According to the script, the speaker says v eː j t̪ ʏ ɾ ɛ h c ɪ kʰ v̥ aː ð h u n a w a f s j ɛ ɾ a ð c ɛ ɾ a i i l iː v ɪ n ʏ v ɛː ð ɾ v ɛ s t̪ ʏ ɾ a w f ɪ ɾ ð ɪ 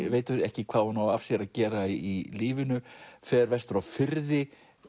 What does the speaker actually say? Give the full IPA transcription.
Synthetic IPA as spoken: v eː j t̪ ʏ ɾ ɛ h c ɪ kʰ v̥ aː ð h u n a w a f s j ɛ ɾ a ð c ɛː ɾ a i i l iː v ɪ n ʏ f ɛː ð ɾ v ɛ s t̪ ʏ ɾ a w f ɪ ɾ ð ɪ